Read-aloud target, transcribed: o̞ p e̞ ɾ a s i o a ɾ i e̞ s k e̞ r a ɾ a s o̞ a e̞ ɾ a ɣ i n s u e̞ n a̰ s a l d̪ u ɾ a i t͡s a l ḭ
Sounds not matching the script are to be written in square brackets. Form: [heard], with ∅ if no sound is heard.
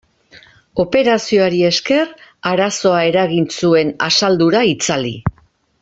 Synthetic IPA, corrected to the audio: o̞ p e̞ ɾ a s i o a ɾ i e̞ s k e̞ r a ɾ a s o̞ a e̞ ɾ a ɣ i n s u e̞ n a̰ s a l d̪ u ɾ a i t͡s a l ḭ

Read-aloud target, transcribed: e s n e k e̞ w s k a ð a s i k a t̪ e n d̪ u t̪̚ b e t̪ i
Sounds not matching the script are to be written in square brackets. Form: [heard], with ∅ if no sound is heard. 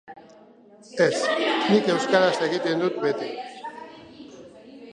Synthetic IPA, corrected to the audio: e s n [i] k e̞ w s k a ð a s [e] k [i] t̪ e n d̪ u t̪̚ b e t̪ i

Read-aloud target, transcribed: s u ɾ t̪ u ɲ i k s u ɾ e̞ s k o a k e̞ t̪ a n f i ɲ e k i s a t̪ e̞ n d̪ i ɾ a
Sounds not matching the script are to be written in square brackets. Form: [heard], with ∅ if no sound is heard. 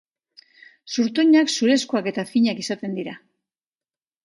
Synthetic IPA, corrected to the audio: s u ɾ t̪ u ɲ [a] k s u ɾ e̞ s k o a k e̞ t̪ a [∅] f i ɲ [a] k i s a t̪ e̞ n d̪ i ɾ a

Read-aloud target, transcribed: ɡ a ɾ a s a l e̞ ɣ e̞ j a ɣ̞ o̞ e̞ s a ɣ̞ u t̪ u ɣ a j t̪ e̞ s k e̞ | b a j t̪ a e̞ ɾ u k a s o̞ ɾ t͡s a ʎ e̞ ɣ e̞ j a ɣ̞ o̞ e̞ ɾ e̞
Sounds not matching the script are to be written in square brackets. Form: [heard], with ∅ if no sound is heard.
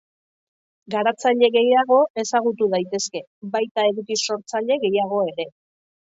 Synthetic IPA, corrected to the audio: ɡ a ɾ a [t͡s] a [ʎ] e̞ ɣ e̞ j a ɣ̞ o̞ e̞ s a ɣ̞ u t̪ u [ð] a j t̪ e̞ s k e̞ | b a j t̪ a e̞ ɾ u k [i] s o̞ ɾ t͡s a ʎ e̞ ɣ e̞ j a ɣ̞ o̞ e̞ ɾ e̞

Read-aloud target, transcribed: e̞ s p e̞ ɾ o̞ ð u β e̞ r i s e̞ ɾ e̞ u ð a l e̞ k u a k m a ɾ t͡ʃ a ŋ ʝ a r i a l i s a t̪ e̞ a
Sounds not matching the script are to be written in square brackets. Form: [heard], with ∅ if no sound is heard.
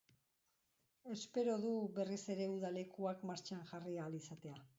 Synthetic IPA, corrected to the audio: e̞ s p e̞ ɾ o̞ ð u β e̞ r i s e̞ ɾ e̞ u ð a l e̞ k u a k m a ɾ t͡ʃ a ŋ ʝ a r i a l i s a t̪ e̞ a

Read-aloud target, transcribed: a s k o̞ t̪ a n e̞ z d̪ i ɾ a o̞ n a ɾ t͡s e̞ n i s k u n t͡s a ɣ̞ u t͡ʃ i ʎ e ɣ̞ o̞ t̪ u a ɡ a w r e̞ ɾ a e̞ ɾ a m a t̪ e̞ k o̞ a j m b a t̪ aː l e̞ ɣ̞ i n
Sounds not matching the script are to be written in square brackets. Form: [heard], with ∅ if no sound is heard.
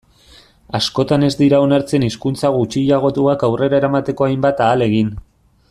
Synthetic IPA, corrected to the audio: a s k o̞ t̪ a n e̞ z d̪ i ɾ a o̞ n a ɾ t͡s e̞ n i s k u n t͡s a ɣ̞ u t͡ʃ i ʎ [a] ɣ̞ o̞ t̪ u a [k] a w r e̞ ɾ a e̞ ɾ a m a t̪ e̞ k o̞ a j m b a t̪ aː l e̞ ɣ̞ i n

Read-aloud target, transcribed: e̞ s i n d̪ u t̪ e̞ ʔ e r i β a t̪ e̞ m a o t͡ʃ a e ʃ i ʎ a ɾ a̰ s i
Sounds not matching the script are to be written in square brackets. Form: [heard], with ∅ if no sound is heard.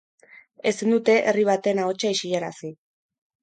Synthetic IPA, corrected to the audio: e̞ s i n d̪ u t̪ e̞ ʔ e r i β a t̪ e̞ [n] a o t͡ʃ a [i] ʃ i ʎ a ɾ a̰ s i

